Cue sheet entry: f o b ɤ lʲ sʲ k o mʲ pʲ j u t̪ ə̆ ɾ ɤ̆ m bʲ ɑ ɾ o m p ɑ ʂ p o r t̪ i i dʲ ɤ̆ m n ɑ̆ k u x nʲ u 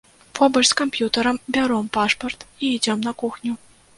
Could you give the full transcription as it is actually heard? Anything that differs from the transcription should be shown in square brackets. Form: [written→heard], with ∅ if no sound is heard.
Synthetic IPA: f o b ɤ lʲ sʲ k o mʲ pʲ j u t̪ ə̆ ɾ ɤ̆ m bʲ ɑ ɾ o m p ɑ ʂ p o r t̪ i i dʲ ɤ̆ m n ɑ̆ k u x nʲ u